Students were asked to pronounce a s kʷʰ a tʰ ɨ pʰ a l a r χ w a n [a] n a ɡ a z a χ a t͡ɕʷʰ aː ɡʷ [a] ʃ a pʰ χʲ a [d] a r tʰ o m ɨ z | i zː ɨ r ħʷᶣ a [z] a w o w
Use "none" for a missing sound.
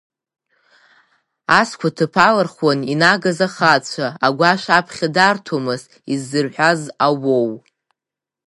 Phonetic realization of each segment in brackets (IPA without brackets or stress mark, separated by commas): i, a, d, z